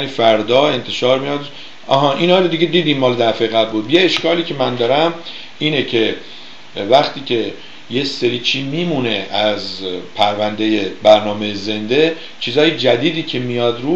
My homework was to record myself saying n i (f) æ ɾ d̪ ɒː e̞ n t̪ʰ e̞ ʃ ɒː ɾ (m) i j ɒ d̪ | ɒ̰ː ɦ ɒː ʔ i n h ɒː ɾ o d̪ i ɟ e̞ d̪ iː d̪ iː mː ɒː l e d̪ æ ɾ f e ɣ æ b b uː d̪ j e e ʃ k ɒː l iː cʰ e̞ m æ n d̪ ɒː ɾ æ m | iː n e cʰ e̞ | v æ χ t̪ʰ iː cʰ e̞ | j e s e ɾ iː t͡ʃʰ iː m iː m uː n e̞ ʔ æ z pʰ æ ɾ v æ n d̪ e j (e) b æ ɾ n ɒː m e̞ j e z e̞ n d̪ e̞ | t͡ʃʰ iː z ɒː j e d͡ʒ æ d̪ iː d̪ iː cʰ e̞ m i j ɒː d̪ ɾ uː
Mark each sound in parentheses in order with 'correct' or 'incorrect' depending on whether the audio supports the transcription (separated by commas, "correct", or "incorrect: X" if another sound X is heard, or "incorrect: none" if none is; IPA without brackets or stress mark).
correct, correct, correct